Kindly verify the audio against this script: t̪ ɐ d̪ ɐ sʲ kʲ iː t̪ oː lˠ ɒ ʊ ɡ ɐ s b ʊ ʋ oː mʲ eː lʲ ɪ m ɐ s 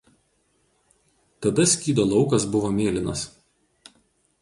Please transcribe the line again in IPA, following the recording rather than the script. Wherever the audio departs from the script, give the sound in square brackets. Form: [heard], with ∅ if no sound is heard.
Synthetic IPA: t̪ ɐ d̪ ɐ sʲ kʲ iː [d̪] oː lˠ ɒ ʊ [k] ɐ s b ʊ ʋ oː mʲ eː lʲ ɪ [n] ɐ s